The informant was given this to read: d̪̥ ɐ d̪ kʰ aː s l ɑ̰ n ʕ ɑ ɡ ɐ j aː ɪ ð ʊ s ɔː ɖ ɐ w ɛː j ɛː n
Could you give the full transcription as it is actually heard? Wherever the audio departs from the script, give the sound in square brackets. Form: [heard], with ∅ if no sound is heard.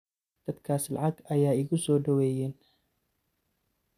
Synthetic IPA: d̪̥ ɐ d̪ kʰ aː s l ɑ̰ [∅] ʕ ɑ ɡ ɐ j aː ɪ [ɣ] ʊ s ɔː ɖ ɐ w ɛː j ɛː n